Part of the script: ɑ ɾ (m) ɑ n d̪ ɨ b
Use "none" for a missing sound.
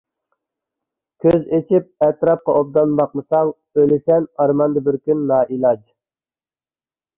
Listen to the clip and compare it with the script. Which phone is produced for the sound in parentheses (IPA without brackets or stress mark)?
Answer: m